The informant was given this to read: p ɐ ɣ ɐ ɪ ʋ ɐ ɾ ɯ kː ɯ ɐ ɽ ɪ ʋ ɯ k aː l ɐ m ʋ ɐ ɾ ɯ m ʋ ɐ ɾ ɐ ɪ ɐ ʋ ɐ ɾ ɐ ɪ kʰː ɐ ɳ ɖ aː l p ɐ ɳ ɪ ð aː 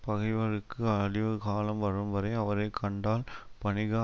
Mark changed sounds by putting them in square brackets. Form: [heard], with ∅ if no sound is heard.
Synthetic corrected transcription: p ɐ ɣ ɐ ɪ ʋ ɐ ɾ ɯ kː ɯ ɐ ɽ ɪ ʋ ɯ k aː l ɐ m ʋ ɐ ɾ ɯ m ʋ ɐ ɾ ɐ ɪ ɐ ʋ ɐ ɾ ɐ ɪ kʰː ɐ ɳ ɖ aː l p ɐ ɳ ɪ [ɣ] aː